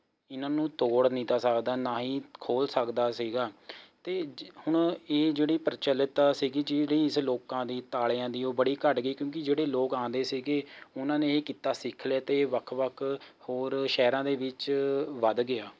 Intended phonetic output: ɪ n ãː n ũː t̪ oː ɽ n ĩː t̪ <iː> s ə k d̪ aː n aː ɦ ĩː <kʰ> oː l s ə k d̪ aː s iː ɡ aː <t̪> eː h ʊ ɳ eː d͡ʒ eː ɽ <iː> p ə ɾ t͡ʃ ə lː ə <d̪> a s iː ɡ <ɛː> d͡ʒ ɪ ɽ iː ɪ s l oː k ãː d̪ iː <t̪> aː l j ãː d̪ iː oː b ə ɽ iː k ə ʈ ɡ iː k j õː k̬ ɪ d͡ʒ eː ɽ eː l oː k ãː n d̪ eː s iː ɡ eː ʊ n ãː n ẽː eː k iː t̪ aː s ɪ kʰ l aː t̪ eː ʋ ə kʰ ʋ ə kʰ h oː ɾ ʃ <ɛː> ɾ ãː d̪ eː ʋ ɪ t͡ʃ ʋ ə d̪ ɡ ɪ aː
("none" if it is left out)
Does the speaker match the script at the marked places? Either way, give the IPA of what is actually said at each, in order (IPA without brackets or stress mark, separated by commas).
aː, kʰ, t̪, iː, t̪, iː, t̪, ɛː